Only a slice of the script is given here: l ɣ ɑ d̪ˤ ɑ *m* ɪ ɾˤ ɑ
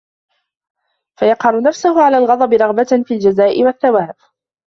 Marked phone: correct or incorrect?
incorrect